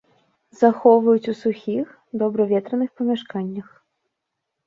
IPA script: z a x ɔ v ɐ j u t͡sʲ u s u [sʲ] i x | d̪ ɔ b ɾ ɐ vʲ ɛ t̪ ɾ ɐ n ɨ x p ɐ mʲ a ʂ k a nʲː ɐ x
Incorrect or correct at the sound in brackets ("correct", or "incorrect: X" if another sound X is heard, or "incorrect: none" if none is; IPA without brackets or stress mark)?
incorrect: xʲ